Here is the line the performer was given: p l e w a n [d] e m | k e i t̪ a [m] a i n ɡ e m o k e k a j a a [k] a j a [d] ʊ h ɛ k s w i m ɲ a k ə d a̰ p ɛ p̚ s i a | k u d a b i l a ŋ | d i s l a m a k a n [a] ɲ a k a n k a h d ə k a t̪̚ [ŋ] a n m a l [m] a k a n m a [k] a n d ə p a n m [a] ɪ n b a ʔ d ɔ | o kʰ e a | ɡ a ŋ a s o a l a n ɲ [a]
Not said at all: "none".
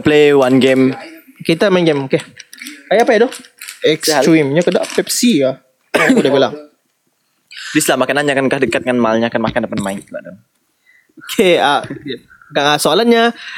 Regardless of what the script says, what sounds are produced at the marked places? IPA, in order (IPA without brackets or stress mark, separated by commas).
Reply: ɡ, m, p, d, a, ŋ, ɲ, k, a, a